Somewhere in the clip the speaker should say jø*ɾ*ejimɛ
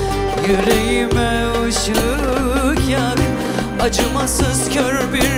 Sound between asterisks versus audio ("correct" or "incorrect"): correct